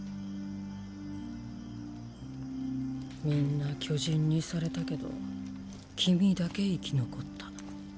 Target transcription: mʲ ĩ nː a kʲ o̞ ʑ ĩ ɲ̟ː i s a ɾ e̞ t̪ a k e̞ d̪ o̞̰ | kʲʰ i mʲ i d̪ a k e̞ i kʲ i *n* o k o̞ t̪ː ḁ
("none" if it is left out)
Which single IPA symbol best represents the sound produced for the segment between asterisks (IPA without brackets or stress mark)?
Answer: n